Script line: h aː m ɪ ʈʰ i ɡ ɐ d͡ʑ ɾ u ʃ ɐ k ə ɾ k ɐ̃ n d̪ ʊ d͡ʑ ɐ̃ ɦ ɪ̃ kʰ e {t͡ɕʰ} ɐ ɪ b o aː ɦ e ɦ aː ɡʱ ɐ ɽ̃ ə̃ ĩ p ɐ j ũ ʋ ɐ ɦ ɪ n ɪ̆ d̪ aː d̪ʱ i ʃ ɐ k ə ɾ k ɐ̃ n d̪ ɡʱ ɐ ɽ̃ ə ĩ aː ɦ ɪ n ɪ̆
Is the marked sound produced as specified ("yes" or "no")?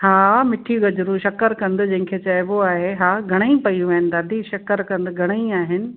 no